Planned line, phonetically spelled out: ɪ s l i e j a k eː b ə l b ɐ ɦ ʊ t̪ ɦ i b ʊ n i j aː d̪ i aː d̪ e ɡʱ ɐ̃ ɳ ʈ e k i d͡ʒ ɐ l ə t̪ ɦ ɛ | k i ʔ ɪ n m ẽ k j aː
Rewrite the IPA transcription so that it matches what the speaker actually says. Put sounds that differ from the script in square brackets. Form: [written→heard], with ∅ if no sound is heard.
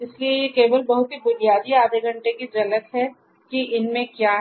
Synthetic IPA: ɪ s l i e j [a→e] k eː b ə l b ɐ ɦ ʊ t̪ ɦ i b ʊ n i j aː d̪ i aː d̪ e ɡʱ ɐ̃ ɳ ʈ e k i d͡ʒ ɐ l ə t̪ ɦ ɛ | k i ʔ ɪ n m ẽ k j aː